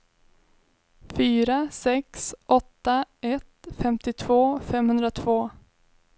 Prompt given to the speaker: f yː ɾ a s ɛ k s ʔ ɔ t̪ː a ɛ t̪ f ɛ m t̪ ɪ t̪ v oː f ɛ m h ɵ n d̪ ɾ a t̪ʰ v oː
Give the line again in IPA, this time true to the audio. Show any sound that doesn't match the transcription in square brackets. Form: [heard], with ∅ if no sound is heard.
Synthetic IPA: f yː ɾ a s ɛ k s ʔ ɔ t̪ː a ɛ t̪ f ɛ m t̪ ɪ [t̪ʰ] v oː f ɛ m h ɵ n d̪ ɾ a t̪ʰ v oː